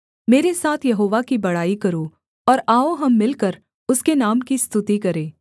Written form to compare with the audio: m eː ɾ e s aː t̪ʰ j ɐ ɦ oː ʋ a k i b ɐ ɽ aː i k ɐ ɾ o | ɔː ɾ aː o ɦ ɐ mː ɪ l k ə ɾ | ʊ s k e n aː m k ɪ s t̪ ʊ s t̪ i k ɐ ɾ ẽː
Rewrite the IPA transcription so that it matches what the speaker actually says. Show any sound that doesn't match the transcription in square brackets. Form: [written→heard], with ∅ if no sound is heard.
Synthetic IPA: m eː ɾ e s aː t̪ʰ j ɐ ɦ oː ʋ a k i b ɐ ɽ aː i k ɐ ɾ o | ɔː ɾ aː o ɦ ɐ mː ɪ l k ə ɾ | ʊ s k e n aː m k [ɪ→i] s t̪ ʊ [s→∅] t̪ i k ɐ ɾ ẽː

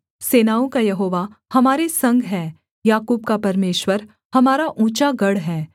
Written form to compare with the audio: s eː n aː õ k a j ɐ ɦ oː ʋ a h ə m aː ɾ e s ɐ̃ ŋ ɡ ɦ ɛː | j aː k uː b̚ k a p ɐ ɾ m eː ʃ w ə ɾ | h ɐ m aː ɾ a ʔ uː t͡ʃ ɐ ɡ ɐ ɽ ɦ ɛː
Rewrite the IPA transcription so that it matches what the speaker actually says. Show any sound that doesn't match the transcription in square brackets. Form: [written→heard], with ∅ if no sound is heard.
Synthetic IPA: s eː n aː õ k a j ɐ ɦ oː ʋ a h [ə→ɐ] m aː ɾ e s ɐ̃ ŋ ɡ ɦ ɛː | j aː k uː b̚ k a p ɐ ɾ m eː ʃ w ə ɾ | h ɐ m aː ɾ a ʔ uː t͡ʃ [ɐ→a] ɡ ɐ ɽ ɦ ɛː

